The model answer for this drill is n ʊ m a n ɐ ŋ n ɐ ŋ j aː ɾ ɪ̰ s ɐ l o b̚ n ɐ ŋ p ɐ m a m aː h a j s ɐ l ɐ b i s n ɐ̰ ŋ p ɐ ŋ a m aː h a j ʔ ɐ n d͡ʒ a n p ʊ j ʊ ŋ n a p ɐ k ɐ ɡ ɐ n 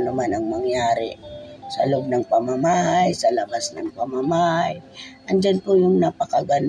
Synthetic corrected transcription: n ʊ m a n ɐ ŋ m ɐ ŋ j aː ɾ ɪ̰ s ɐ l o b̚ n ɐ ŋ p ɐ m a m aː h a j s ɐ l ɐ b a s n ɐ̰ ŋ p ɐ m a m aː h a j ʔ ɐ n d͡ʒ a n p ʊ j ʊ ŋ n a p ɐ k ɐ ɡ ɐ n